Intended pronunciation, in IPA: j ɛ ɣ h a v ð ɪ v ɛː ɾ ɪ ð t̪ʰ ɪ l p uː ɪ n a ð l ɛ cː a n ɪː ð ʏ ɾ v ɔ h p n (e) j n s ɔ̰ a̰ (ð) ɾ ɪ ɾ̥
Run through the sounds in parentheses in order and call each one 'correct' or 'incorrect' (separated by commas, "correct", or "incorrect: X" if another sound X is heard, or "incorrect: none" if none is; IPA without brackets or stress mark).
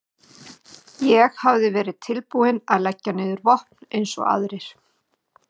correct, correct